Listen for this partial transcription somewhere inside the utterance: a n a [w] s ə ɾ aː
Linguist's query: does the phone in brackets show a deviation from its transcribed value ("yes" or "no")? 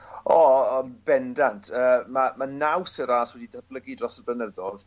no